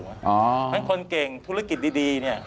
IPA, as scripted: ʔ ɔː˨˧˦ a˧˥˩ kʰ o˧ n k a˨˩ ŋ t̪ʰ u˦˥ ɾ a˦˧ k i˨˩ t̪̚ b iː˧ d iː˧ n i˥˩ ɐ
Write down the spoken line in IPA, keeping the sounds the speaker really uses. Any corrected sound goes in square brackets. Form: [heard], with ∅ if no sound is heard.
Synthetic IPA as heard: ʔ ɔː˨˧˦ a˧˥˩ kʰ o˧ n k [e˨˩] ŋ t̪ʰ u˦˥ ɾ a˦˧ k i˨˩ t̪̚ [d] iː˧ d iː˧ n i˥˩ ɐ